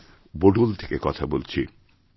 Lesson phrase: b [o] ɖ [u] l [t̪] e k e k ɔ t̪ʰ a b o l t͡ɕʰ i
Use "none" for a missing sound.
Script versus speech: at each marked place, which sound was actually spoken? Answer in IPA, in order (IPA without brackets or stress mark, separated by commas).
o, u, t̪ʰ